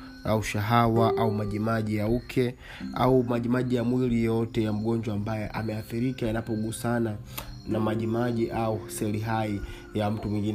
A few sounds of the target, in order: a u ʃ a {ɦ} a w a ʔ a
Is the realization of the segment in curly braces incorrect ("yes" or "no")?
no